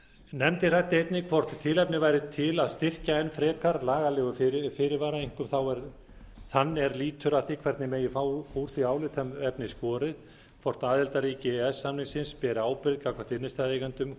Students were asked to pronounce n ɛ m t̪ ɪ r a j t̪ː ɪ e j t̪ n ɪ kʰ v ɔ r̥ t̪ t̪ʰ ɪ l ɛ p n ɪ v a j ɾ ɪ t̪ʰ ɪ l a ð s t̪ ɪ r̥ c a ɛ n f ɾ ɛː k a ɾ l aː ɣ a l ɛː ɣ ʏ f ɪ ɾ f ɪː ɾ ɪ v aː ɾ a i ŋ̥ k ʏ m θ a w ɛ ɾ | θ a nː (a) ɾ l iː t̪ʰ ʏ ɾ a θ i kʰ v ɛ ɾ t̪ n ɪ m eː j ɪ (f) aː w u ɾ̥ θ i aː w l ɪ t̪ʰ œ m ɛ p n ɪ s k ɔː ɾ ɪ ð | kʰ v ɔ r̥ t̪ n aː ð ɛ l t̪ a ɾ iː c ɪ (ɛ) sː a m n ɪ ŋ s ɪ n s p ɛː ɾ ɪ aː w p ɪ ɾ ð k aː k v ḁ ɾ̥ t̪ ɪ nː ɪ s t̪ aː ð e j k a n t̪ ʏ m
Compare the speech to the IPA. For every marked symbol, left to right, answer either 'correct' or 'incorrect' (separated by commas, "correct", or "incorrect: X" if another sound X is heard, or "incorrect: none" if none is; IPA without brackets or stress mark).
incorrect: ɛ, correct, correct